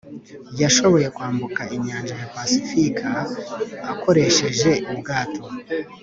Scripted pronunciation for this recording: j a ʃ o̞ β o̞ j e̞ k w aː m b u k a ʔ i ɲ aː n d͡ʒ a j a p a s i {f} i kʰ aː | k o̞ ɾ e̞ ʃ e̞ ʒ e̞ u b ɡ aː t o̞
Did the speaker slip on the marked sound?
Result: no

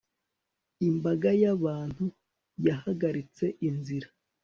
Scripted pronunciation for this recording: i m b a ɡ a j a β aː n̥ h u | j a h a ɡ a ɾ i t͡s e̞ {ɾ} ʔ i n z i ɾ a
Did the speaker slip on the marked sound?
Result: yes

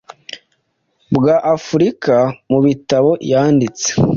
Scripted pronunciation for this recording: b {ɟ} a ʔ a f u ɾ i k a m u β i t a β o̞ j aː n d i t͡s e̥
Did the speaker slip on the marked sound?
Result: yes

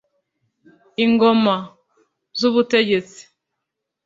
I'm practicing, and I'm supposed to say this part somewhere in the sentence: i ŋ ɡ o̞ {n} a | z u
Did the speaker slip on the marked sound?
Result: yes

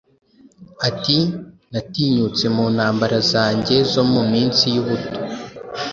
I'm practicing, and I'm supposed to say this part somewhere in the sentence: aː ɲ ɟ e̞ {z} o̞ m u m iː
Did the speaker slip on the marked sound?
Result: no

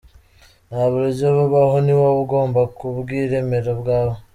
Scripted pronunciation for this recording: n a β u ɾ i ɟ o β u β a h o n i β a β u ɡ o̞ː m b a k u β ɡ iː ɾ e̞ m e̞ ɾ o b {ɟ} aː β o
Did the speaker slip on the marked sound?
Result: yes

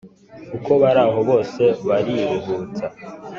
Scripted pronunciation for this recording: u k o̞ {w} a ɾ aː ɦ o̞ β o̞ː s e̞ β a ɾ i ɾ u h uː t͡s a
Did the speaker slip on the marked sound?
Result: yes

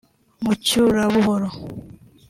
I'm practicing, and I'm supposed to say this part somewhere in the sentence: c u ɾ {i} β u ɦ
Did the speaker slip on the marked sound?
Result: yes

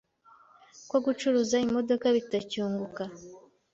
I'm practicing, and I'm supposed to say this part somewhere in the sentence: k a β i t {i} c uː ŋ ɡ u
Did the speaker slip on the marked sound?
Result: yes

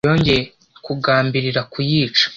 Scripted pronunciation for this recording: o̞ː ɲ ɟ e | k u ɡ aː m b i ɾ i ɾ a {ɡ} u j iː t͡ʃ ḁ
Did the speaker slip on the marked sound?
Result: yes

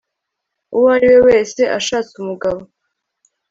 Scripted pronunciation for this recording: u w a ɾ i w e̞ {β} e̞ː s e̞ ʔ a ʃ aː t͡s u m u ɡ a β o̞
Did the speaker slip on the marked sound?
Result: yes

